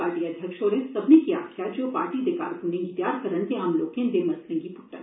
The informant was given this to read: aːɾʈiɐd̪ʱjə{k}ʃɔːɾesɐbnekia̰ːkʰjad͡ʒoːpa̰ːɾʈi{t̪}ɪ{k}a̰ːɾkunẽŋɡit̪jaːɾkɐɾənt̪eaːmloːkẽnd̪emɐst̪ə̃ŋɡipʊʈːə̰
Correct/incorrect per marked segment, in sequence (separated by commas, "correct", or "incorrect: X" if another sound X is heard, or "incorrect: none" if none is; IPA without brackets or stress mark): correct, incorrect: d̪, correct